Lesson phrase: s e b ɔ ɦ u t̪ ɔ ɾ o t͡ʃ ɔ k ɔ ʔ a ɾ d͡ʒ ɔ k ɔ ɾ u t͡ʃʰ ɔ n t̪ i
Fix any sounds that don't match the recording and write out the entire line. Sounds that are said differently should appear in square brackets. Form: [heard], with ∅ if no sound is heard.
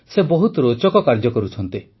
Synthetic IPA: s e b ɔ ɦ u t̪ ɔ ɾ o t͡ʃ ɔ k ɔ [k] a ɾ d͡ʒ ɔ k ɔ ɾ u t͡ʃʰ ɔ n t̪ i